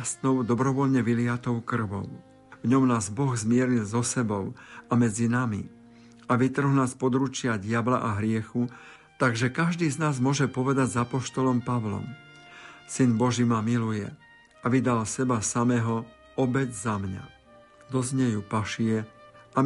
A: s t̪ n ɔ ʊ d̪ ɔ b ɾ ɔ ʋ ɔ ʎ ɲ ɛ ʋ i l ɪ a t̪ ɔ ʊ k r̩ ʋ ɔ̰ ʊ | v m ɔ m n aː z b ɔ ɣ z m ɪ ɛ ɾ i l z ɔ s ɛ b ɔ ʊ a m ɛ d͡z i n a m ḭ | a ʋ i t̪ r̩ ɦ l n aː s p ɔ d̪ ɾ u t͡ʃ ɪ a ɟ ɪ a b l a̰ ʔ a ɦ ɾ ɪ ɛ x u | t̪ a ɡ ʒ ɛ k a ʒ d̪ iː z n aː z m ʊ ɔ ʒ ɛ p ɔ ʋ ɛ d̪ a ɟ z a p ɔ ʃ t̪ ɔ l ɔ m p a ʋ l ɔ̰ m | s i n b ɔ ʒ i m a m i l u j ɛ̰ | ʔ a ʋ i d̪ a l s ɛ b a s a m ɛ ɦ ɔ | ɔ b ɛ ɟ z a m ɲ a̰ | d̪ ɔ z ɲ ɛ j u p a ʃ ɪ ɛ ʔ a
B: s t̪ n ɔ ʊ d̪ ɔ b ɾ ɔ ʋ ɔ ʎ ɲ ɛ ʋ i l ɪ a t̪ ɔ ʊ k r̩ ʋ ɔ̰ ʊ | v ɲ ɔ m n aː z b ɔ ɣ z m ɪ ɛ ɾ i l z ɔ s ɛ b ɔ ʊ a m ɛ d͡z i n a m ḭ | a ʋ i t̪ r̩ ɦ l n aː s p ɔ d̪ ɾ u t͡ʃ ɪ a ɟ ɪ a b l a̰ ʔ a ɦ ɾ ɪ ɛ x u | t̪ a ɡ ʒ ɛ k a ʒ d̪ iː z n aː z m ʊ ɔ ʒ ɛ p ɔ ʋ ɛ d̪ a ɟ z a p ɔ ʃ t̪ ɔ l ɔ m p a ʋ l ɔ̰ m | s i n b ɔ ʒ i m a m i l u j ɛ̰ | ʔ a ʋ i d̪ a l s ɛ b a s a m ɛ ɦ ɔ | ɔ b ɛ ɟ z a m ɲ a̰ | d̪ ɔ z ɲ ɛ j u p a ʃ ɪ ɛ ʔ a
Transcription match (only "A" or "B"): B